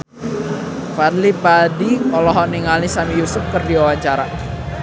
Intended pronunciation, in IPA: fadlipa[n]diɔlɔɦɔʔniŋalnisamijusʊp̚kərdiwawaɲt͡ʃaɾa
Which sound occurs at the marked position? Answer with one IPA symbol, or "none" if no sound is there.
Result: none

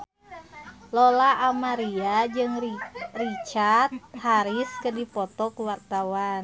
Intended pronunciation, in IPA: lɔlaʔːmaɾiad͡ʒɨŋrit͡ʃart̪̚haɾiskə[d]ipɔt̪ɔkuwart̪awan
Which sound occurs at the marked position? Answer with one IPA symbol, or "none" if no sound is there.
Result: d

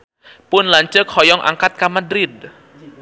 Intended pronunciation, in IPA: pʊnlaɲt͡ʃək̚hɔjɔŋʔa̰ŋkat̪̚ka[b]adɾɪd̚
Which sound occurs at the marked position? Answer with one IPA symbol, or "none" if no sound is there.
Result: m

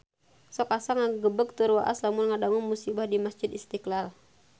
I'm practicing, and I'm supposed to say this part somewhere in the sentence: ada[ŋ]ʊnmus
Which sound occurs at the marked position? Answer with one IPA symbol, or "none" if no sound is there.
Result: ŋ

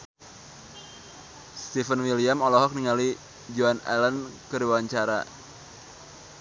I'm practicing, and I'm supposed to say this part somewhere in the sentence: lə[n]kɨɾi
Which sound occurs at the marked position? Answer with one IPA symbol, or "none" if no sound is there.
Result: n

